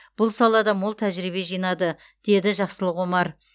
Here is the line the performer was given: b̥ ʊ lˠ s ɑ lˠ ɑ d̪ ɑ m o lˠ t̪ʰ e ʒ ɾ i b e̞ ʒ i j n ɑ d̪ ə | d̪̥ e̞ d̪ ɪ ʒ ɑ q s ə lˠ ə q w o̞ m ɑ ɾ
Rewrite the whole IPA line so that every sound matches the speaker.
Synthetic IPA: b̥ ʊ lˠ s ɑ lˠ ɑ d̪ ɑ m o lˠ t̪ʰ æ ʒ ɾ i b e̞ ʒ i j n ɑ d̪ ə | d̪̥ e̞ d̪ ɪ ʒ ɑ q s ə lˠ ə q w o̞ m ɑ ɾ